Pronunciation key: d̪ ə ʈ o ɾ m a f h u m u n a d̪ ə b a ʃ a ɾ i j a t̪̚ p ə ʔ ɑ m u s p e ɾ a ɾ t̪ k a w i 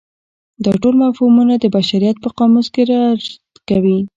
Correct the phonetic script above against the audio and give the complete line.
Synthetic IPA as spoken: d̪ ɑ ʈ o l m a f h u m u n a d̪ ə b a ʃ a ɾ i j a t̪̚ p ə q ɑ m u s k e ɾ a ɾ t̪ k a w i